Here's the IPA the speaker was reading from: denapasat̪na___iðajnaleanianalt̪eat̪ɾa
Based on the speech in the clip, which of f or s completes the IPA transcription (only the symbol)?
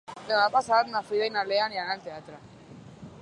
f